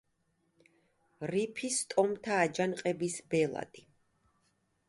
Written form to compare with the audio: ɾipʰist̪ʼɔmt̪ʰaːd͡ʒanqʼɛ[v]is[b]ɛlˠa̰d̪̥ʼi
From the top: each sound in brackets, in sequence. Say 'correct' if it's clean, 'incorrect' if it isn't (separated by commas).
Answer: incorrect, correct